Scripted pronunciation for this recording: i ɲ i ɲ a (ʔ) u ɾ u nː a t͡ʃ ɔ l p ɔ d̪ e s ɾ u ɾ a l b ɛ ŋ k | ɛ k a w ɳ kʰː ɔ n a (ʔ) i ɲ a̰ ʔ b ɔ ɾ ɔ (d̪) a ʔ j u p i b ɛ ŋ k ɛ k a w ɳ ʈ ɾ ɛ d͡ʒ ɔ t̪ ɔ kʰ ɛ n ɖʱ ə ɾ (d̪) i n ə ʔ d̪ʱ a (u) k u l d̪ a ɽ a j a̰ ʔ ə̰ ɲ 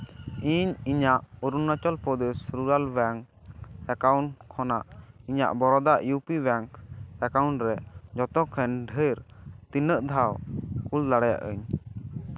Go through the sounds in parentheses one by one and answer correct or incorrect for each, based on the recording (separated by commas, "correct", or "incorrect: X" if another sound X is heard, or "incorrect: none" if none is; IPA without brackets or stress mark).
correct, correct, correct, incorrect: t̪, incorrect: w